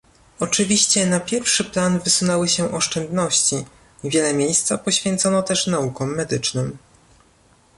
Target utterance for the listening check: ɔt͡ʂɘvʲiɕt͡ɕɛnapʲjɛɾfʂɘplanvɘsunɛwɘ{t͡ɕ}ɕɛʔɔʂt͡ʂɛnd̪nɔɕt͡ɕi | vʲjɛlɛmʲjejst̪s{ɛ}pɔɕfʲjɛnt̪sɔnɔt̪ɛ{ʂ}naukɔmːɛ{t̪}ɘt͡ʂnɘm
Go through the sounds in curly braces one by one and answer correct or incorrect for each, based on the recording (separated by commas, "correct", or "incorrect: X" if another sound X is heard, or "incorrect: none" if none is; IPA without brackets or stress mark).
incorrect: none, incorrect: a, correct, incorrect: d̪